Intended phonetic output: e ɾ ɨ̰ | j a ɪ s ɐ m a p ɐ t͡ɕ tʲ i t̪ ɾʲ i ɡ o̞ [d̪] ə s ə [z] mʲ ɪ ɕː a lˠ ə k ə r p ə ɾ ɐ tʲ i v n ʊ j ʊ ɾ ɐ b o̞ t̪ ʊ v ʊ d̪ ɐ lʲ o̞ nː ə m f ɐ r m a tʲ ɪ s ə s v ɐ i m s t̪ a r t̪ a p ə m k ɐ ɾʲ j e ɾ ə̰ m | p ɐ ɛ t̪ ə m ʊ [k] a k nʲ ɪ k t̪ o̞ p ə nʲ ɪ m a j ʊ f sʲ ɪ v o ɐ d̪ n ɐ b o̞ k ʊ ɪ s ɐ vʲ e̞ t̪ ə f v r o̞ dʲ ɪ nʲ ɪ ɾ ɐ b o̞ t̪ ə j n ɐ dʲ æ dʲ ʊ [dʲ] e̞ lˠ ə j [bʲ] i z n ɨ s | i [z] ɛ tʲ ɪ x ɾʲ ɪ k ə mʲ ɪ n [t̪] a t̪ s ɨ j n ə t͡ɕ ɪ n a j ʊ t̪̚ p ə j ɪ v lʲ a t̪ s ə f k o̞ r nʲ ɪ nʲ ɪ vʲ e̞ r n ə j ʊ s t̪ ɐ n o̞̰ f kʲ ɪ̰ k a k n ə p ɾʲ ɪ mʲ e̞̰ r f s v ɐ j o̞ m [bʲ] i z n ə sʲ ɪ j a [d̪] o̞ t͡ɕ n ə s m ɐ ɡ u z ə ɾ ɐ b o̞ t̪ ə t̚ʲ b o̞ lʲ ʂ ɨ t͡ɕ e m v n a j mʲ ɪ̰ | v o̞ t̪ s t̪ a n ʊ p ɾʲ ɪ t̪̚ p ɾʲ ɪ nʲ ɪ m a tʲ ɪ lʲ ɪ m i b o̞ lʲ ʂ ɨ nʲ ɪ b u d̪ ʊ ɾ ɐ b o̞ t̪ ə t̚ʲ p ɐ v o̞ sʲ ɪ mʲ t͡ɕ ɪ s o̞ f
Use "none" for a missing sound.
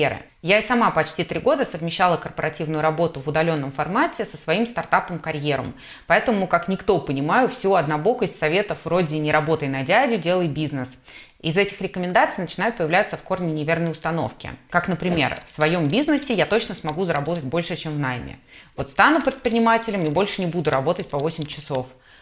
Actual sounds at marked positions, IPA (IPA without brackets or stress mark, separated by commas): d̪, v, k, dʲ, bʲ, z, d̪, bʲ, t̪